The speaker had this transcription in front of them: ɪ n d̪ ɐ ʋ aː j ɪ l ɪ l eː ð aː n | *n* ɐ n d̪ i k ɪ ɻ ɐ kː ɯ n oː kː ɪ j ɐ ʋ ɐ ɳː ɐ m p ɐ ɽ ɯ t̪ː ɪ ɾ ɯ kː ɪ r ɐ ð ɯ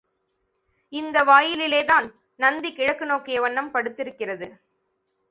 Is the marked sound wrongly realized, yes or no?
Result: no